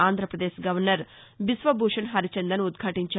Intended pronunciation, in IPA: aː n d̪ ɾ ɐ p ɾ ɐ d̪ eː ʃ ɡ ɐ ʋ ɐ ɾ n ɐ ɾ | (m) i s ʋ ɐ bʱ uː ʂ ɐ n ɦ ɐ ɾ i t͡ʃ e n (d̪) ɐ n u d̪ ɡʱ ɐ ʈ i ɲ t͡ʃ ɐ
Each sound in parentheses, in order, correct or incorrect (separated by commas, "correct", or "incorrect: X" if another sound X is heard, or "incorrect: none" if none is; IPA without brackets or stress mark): incorrect: b, correct